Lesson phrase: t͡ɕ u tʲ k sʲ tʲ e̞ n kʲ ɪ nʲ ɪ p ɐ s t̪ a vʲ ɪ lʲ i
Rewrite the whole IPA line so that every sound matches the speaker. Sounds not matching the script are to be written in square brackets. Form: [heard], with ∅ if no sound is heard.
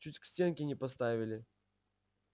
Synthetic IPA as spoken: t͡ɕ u tʲ k sʲ tʲ e̞ n kʲ ɪ nʲ ɪ p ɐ s t̪ a vʲ ɪ lʲ [ɪ]